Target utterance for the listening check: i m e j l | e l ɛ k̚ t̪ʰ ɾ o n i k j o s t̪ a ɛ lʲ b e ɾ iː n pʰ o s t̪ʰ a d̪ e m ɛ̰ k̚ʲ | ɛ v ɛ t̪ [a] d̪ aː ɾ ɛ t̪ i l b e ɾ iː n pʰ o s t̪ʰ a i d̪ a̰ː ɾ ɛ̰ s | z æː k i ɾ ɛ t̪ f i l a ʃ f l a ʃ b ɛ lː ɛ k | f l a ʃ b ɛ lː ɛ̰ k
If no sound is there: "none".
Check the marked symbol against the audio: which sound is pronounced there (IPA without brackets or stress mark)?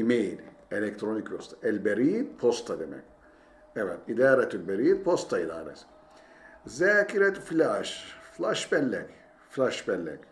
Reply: i